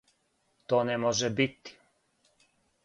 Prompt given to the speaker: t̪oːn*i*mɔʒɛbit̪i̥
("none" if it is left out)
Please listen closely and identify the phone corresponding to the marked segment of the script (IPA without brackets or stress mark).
ɛ